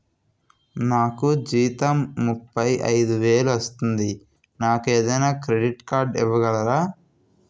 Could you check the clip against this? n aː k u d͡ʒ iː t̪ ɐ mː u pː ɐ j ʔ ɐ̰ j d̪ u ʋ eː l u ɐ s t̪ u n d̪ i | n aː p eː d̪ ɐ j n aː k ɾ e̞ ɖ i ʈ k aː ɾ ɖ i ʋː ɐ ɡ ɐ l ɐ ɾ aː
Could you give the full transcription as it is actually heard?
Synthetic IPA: n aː k u d͡ʒ iː t̪ ɐ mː u pː ɐ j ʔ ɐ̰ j d̪ u ʋ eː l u ɐ s t̪ u n d̪ i | n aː k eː d̪ ɐ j n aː k ɾ e̞ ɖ i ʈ k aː ɾ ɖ i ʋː ɐ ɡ ɐ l ɐ ɾ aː